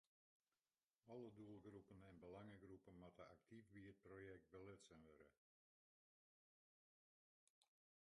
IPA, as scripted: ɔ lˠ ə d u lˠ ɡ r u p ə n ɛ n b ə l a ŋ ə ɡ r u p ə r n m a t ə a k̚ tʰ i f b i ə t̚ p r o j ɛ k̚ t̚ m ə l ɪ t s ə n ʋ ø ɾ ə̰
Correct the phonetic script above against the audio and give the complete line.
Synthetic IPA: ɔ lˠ ə d u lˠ ɡ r u p ə n ɛ n b ə l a ŋ ə ɡ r u p ə n m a t ə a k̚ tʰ i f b i ə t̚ p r o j ɛ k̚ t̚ b ə l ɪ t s ə n ʋ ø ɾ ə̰